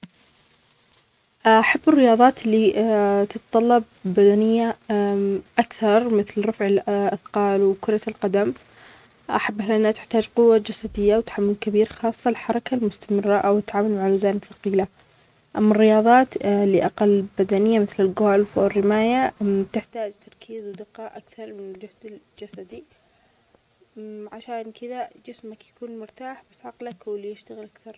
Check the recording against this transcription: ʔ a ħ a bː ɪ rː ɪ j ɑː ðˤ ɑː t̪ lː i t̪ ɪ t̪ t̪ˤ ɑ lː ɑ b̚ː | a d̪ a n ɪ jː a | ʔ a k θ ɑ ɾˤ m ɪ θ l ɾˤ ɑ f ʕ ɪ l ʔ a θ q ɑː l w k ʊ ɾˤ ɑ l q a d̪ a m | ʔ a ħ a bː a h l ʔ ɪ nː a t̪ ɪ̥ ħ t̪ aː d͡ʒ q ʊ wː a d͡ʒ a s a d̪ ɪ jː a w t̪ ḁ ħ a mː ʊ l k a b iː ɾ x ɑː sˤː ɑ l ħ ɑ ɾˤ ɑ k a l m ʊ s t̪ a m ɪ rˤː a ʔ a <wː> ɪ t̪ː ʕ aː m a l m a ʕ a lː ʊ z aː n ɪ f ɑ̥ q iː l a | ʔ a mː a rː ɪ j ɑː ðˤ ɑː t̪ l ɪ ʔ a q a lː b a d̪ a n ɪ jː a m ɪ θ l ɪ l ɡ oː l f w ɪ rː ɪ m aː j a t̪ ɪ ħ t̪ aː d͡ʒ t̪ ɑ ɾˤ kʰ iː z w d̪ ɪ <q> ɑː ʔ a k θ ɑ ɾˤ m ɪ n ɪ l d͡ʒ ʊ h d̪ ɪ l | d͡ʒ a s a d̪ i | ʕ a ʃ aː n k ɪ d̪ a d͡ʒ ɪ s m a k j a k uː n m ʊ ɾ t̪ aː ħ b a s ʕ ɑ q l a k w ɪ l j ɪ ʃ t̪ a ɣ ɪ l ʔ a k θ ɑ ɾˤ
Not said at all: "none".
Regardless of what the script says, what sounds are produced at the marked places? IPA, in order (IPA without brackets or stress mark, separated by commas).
w, q